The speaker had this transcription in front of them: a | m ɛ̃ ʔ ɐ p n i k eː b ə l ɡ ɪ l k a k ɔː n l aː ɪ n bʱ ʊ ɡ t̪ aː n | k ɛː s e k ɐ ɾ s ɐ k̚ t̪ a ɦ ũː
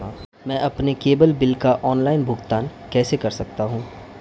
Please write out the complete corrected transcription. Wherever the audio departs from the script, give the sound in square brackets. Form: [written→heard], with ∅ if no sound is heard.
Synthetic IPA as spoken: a | m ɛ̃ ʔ ɐ p n [i→e] k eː b ə l [ɡ→b] ɪ l k a [k→ʔ] ɔː n l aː ɪ n bʱ ʊ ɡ t̪ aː n | k ɛː s e k ɐ ɾ s ɐ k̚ t̪ a ɦ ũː